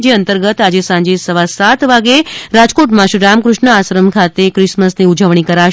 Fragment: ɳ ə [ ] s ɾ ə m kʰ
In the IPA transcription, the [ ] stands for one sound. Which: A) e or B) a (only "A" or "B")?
B